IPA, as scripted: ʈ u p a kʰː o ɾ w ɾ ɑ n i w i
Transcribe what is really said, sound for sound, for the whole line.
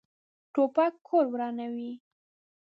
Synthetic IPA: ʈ o p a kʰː o ɾ w ɾ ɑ n a w i